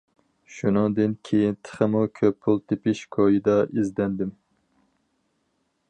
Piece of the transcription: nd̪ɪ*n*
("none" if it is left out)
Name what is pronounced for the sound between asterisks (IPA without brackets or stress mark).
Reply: m